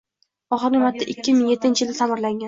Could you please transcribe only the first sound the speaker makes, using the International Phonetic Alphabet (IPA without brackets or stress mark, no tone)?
ɒ